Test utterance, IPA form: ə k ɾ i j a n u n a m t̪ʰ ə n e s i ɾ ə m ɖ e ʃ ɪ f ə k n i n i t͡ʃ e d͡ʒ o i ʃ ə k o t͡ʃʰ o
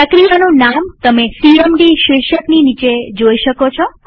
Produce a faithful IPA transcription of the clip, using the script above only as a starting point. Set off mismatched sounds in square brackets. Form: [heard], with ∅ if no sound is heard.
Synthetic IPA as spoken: ə k ɾ i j a n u n a m [t̪] ə [m] e s i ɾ ə m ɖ [i] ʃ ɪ [ʃ] ə k n i n i t͡ʃ e d͡ʒ o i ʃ ə k o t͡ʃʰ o